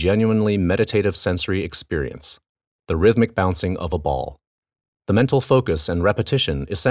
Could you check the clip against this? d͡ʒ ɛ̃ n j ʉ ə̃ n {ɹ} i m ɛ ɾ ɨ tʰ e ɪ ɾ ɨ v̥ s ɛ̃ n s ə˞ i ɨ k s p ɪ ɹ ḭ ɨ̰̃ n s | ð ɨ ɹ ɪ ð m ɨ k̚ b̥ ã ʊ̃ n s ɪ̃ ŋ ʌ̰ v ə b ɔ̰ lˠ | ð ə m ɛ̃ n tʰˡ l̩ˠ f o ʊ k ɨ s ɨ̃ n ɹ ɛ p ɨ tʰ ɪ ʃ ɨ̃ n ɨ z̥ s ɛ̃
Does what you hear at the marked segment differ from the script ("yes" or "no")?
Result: yes